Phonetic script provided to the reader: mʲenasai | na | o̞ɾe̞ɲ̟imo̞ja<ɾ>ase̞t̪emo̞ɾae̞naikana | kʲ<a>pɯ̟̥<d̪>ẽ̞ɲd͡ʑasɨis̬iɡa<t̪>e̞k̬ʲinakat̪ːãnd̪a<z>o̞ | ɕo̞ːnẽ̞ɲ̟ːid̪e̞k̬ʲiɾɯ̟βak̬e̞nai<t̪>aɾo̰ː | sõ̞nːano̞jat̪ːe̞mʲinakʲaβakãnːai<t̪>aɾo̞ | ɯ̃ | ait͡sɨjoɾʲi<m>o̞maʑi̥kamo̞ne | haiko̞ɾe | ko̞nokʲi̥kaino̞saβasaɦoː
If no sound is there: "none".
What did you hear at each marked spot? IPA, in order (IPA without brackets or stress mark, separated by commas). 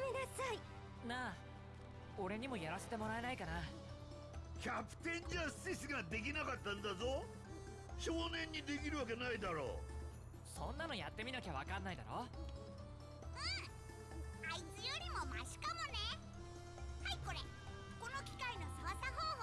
ɾ, a, t̪, d̪, z, d̪, d̪, m